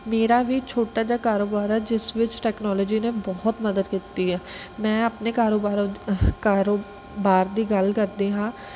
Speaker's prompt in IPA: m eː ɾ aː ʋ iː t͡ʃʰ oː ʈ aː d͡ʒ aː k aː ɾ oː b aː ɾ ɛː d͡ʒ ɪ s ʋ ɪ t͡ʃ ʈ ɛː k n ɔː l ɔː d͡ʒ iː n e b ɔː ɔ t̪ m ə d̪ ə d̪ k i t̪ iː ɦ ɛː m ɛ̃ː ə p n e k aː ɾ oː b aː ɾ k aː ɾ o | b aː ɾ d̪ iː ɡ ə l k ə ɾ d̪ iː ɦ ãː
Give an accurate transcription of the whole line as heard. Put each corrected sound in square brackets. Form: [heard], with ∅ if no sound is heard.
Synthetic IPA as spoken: m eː ɾ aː ʋ iː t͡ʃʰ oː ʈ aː d͡ʒ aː k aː ɾ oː b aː ɾ ɛː d͡ʒ ɪ s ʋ ɪ t͡ʃ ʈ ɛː k n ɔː l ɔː d͡ʒ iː n e b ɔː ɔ t̪ m ə d̪ ə d̪ k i t̪ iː ɦ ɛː m ɛ̃ː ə p n e k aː ɾ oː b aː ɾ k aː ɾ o | b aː ɾ d̪ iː ɡ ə l k ə ɾ d̪ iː ɦ ãː